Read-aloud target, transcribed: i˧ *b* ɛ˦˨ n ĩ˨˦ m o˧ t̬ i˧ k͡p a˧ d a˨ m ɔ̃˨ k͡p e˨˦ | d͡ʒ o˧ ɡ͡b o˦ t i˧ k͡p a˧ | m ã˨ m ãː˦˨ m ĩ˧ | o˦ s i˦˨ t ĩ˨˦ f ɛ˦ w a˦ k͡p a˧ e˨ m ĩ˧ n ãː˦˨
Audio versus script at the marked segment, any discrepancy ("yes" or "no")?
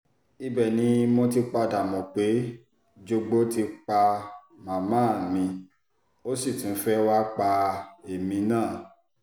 no